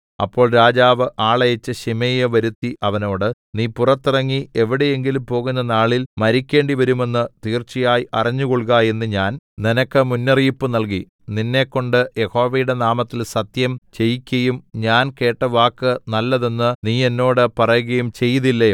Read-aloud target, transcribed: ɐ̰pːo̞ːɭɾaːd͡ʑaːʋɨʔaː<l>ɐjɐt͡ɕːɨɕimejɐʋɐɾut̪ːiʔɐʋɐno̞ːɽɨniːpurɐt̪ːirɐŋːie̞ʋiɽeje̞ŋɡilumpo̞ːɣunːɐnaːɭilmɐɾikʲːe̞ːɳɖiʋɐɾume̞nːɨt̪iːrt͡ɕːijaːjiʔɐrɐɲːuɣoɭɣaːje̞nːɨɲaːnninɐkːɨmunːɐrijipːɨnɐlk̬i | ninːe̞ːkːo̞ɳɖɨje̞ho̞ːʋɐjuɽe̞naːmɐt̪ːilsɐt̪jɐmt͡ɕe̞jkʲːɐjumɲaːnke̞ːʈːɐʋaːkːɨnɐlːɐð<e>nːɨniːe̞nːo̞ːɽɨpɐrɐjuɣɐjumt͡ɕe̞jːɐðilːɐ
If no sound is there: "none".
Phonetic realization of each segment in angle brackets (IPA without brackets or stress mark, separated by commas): ɭ, e